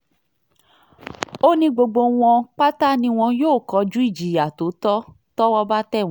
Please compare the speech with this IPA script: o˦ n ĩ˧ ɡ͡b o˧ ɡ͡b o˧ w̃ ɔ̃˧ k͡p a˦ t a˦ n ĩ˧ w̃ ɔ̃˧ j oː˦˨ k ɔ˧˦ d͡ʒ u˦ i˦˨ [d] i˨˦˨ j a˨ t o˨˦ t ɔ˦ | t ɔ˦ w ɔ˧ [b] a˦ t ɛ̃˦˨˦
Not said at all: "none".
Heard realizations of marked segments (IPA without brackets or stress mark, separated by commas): d͡ʒ, b